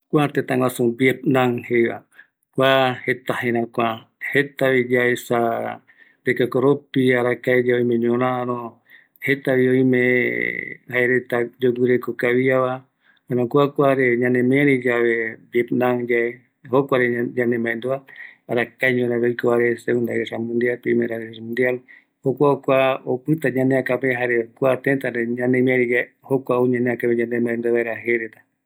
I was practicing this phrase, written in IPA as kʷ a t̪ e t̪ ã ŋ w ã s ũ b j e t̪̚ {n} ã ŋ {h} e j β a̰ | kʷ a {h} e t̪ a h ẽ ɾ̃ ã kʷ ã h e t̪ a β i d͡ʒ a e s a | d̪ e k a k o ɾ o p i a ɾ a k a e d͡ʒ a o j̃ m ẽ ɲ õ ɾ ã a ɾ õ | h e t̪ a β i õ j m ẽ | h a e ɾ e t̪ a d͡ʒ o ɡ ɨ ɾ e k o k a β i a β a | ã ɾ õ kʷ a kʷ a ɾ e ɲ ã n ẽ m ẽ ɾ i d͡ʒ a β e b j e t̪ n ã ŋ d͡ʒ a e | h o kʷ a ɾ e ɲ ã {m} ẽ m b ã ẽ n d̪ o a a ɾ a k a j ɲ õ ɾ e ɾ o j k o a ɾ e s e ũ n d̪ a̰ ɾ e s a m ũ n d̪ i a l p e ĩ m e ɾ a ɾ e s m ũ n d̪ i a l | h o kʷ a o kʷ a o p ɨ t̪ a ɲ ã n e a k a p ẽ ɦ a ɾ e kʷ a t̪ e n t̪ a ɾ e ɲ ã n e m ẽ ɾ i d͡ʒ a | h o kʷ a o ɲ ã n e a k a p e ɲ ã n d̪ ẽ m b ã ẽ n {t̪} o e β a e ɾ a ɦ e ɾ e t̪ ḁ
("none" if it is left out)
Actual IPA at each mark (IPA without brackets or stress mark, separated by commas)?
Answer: n, h, h, n, d̪